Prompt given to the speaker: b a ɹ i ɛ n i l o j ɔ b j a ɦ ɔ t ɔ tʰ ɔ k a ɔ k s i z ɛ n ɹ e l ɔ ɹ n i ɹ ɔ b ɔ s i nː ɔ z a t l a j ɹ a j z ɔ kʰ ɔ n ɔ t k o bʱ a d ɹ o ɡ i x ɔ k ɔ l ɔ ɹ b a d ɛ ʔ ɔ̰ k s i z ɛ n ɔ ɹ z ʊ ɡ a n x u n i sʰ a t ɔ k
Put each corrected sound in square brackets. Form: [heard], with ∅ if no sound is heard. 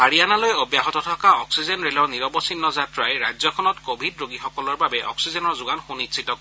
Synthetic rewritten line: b a ɹ i [a] n [a] l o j ɔ b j a ɦ ɔ t ɔ tʰ ɔ k a ɔ k s i z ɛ n ɹ e l ɔ ɹ n i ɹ ɔ b ɔ s i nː ɔ z a t [ɹ] a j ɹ a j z ɔ kʰ ɔ n ɔ t k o bʱ [i] d ɹ o ɡ i x ɔ k ɔ l ɔ ɹ b a [b] ɛ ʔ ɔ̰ k s i z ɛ n ɔ ɹ z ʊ ɡ a n x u n i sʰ [i] t ɔ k